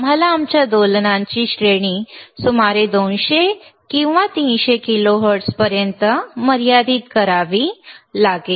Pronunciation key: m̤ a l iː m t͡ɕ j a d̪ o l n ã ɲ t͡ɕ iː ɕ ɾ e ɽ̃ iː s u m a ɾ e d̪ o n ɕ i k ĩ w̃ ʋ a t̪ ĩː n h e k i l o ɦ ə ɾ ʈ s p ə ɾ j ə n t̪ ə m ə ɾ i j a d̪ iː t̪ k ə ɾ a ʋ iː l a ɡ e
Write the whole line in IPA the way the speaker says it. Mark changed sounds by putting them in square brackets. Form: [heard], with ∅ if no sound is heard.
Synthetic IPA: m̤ a l [aː] m t͡ɕ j a d̪ o l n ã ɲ t͡ɕ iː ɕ ɾ e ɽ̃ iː s u m a ɾ e d̪ o n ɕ [e] k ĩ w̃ ʋ a t̪ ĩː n [ɕ] e k i l o ɦ ə ɾ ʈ s p ə ɾ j ə n t̪ ə m ə ɾ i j a d̪ iː t̪ k ə ɾ a ʋ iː l a ɡ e